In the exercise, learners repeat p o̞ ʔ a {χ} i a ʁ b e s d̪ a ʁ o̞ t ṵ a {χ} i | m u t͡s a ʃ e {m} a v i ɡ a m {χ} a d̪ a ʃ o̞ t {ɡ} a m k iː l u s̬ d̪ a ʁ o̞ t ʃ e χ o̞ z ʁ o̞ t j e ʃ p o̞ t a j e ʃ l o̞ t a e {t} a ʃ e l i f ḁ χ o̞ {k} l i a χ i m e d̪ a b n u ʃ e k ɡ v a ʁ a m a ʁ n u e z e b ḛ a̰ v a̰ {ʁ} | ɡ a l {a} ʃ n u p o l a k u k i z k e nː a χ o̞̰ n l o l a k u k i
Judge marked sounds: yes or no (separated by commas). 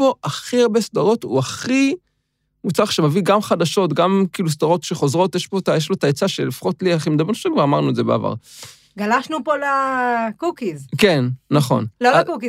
yes, yes, yes, yes, yes, no, no, yes, yes